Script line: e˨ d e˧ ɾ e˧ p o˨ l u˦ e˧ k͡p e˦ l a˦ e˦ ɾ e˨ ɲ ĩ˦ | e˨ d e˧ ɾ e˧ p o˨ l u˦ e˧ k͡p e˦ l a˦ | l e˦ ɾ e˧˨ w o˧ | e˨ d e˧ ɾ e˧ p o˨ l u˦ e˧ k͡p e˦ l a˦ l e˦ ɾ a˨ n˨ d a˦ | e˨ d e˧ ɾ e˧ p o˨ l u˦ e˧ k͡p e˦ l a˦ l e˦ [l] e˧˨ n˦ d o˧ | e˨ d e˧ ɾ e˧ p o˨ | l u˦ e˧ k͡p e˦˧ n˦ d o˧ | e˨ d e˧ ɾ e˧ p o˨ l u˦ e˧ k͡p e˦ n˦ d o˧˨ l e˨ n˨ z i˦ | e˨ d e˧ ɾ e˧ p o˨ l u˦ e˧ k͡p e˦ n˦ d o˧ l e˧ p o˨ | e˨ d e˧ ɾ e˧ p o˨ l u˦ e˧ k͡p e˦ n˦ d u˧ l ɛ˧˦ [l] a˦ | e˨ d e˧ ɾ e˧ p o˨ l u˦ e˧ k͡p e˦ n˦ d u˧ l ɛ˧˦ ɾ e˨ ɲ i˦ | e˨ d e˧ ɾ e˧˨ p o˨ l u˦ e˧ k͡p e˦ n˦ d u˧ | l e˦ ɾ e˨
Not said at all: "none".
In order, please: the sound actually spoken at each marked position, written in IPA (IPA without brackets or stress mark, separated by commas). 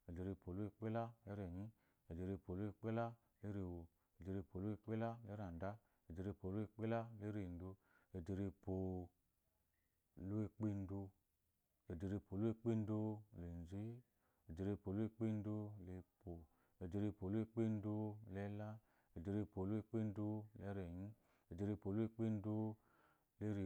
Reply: ɾ, l